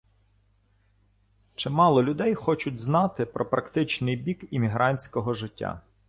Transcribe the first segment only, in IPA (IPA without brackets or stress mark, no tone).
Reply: t͡ʃ